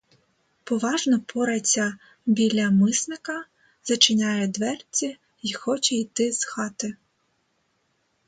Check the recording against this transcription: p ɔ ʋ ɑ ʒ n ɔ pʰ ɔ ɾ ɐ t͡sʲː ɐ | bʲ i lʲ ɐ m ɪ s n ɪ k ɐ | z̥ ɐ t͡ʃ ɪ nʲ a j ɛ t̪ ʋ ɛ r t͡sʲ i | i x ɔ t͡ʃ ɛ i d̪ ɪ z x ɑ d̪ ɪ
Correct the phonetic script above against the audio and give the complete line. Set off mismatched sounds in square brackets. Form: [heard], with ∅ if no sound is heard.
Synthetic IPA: p ɔ ʋ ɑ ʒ n ɔ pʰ ɔ ɾ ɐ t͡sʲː ɐ | bʲ i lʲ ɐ m ɪ s n ɪ k ɐ | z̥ ɐ t͡ʃ ɪ nʲ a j ɛ [d̪] ʋ ɛ r t͡sʲ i | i x ɔ t͡ʃ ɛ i [t̪] ɪ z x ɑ [t̪] ɪ